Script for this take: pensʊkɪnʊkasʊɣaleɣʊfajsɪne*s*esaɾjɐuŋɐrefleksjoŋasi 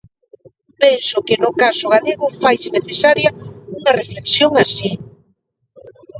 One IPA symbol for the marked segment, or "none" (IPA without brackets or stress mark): θ